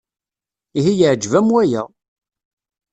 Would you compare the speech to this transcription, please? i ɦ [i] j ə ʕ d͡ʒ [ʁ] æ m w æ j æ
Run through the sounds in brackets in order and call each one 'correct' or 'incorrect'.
correct, incorrect: v

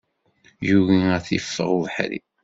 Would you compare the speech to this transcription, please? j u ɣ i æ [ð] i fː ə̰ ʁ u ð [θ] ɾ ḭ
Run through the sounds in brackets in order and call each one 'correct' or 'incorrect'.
incorrect: θ, incorrect: ħ

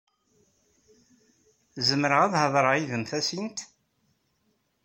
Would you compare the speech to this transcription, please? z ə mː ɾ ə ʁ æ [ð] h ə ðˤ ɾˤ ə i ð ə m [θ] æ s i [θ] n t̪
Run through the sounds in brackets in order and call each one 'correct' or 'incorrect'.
correct, correct, incorrect: none

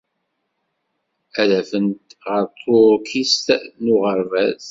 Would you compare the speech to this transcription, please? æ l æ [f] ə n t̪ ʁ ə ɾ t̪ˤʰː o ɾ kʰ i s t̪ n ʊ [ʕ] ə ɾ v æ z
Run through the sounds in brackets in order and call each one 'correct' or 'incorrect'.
correct, incorrect: ʁ

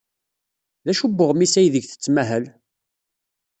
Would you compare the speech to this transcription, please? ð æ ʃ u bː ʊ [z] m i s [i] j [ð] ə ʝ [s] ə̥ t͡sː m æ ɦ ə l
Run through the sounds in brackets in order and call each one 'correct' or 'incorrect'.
incorrect: ʁ, incorrect: æ, correct, incorrect: θ

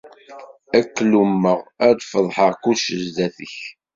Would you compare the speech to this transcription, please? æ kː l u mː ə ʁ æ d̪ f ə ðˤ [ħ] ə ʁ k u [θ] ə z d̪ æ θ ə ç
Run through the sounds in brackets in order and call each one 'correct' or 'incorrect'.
correct, incorrect: ʃ

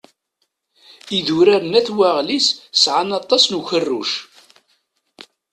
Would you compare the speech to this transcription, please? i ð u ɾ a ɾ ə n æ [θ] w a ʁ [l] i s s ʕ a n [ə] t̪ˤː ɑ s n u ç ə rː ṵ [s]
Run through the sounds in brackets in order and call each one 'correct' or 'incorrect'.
correct, correct, incorrect: ɑ, incorrect: ʃ

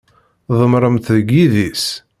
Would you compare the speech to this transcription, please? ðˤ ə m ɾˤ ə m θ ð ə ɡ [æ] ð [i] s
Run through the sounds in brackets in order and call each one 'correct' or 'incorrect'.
incorrect: i, correct

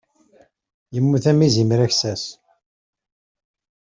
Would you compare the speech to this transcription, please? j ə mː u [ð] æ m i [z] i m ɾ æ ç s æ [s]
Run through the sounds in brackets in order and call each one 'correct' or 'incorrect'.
incorrect: θ, correct, correct

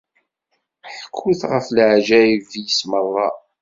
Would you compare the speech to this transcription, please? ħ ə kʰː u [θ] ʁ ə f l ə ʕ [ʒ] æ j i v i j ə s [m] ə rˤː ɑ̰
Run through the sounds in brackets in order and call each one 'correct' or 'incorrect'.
correct, correct, correct

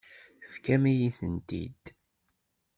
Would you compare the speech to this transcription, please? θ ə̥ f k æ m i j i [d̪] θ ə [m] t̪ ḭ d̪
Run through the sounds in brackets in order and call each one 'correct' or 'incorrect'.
incorrect: none, incorrect: n

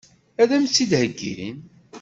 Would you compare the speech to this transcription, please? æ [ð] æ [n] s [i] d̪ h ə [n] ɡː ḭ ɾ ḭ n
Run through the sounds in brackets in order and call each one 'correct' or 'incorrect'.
correct, incorrect: m, correct, incorrect: none

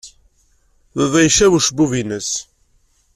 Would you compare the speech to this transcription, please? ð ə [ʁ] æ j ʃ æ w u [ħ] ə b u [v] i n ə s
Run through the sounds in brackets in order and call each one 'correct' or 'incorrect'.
incorrect: ð, incorrect: ʃ, correct

